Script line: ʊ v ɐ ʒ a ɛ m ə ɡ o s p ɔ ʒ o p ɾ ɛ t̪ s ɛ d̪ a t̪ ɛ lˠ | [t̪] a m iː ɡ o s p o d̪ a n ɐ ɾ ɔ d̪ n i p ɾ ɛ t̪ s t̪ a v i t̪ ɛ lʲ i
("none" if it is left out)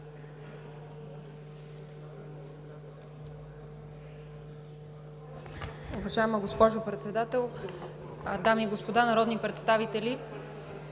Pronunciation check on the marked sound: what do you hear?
d̪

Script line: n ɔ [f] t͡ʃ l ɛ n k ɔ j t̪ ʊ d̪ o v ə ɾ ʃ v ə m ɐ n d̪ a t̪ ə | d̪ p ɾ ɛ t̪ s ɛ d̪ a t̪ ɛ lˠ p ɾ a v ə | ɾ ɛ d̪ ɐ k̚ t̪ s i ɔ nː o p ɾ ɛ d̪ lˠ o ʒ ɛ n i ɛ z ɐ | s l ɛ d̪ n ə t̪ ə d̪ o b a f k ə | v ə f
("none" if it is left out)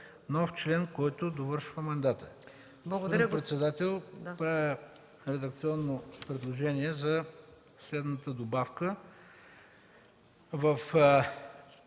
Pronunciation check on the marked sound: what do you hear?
f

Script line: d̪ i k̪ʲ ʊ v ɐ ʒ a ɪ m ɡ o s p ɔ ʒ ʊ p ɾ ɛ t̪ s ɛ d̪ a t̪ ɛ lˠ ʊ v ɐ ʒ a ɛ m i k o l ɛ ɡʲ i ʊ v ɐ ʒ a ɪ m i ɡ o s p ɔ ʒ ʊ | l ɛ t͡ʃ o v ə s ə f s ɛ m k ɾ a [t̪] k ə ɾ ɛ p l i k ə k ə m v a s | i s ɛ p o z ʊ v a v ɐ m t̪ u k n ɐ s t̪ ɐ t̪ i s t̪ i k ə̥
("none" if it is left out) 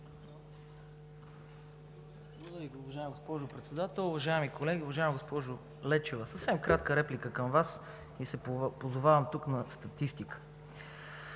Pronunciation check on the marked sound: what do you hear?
t̪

